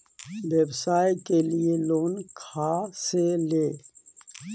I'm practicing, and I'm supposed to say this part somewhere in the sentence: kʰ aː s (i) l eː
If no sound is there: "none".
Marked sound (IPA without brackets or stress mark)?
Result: e